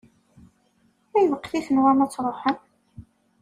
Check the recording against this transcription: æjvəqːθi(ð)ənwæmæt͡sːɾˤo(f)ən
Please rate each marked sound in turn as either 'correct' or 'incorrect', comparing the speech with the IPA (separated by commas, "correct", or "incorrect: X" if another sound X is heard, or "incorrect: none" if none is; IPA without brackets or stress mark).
incorrect: θ, incorrect: ħ